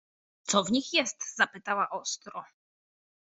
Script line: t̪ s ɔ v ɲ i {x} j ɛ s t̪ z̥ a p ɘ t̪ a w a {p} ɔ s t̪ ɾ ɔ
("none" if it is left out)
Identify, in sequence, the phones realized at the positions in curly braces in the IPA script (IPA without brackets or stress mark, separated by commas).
x, ʔ